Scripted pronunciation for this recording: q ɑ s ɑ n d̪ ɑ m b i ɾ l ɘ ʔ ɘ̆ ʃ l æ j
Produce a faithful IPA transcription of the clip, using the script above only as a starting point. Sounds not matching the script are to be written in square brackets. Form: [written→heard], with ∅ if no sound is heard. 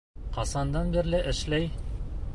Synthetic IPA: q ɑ s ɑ n d̪ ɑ [m→n] b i ɾ l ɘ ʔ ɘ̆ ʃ l æ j